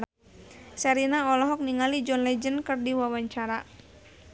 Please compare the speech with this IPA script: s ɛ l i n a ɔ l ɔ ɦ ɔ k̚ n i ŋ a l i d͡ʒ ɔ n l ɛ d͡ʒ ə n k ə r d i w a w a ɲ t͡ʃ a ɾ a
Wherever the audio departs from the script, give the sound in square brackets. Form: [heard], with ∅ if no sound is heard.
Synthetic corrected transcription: s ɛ [ɾ] i n a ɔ l ɔ ɦ ɔ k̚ n i ŋ a l i d͡ʒ ɔ n l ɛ d͡ʒ ə n k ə r d i w a w a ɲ t͡ʃ a ɾ a